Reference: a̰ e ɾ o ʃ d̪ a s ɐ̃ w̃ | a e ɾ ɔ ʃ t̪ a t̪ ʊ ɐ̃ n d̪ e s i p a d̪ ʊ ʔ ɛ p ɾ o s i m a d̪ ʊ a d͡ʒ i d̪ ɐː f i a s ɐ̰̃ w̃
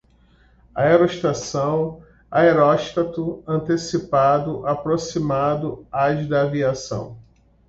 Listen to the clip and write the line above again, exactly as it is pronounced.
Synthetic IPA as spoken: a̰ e ɾ o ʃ t̪ a s ɐ̃ w̃ | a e ɾ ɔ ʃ t̪ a t̪ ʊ ɐ̃ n t̪ e s i p a d̪ ʊ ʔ a p ɾ o s i m a d̪ ʊ a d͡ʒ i d̪ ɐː v i a s ɐ̰̃ w̃